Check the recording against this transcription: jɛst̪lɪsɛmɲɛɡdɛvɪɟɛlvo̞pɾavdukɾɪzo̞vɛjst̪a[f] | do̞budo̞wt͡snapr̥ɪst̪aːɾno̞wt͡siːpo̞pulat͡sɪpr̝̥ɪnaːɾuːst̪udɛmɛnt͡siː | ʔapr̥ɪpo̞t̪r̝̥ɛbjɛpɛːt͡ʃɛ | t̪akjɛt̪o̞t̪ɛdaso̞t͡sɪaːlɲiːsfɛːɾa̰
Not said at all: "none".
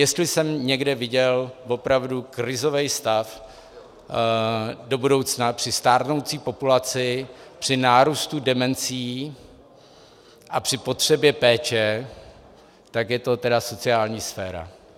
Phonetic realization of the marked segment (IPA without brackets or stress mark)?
f